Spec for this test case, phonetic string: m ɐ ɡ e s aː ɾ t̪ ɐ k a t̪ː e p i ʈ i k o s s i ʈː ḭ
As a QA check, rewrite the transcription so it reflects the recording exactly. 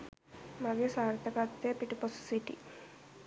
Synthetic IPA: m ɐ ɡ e s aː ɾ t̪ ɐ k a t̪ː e p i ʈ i p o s s i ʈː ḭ

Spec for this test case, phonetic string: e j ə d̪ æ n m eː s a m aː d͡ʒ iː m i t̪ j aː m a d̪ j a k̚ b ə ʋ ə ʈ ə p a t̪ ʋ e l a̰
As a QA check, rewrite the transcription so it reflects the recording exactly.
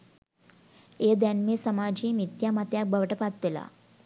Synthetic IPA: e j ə d̪ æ n m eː s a m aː d͡ʒ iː m i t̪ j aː m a t̪ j a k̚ b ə ʋ ə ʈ ə p a t̪ ʋ e l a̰

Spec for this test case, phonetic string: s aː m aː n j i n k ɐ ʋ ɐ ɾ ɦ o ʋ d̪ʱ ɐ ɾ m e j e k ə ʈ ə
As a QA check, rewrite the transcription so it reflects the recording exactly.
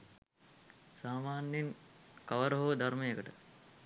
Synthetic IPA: s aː m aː n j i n k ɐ ʋ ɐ ɾ ɦ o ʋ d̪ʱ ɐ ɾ m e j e k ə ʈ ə

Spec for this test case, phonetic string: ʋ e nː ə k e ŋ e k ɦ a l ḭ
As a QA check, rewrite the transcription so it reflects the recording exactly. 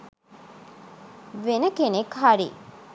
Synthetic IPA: ʋ e n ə k e n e k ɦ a ɾ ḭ

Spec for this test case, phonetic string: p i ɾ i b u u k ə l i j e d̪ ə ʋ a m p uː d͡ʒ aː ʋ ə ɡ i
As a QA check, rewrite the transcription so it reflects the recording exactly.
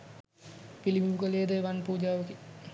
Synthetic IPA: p i l i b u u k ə l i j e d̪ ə ʋ a n p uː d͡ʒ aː ʋ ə k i

